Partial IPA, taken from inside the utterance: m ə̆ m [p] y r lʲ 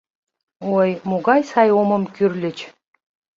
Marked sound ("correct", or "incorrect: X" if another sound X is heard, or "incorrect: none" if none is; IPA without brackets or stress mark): incorrect: k